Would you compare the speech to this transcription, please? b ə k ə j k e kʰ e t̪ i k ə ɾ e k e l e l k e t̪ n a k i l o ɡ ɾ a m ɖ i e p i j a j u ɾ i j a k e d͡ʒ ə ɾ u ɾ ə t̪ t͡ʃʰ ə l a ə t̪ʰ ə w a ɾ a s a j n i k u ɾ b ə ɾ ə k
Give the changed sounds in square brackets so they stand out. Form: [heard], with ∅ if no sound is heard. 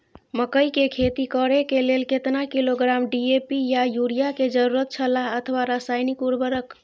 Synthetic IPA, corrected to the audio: [m] ə k ə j k e kʰ e t̪ i k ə ɾ e k e l e l k e t̪ n a k i l o ɡ ɾ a m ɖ i e p i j a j u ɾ i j a k e d͡ʒ ə ɾ u ɾ ə t̪ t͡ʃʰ ə l a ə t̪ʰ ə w a ɾ a s a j n i k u ɾ b ə ɾ ə k